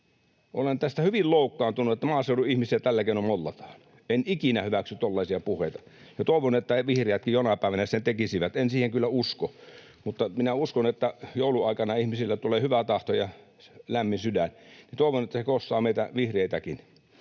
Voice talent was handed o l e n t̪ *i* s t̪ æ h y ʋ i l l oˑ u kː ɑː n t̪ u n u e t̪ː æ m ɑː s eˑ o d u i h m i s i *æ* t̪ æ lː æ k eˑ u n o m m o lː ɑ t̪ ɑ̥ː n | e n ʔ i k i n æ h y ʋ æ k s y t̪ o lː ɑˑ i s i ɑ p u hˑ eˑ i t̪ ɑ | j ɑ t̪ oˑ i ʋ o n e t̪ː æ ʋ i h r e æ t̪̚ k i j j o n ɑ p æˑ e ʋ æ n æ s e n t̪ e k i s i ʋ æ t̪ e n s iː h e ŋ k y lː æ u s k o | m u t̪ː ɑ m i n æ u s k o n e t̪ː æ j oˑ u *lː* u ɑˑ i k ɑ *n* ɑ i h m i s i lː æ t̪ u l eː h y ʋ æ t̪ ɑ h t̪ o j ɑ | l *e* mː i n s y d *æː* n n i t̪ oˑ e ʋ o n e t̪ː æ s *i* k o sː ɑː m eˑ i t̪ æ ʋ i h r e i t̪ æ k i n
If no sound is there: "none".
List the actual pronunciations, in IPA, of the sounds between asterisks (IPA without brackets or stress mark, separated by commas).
æ, æ, l, n, æ, æ, e